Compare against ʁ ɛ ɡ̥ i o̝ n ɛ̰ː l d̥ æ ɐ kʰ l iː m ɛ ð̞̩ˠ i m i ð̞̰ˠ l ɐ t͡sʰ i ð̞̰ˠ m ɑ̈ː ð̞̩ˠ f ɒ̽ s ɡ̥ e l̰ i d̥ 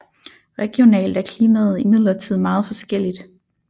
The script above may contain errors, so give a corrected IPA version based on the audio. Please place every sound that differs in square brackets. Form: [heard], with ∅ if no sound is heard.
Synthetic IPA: ʁ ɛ ɡ̥ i o̝ n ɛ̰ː l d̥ æ ɐ kʰ l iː m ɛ ð̞̩ˠ i m i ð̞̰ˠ l ɐ t͡sʰ i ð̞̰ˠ m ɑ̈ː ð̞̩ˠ f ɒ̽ s ɡ̥ e l̰ i d̥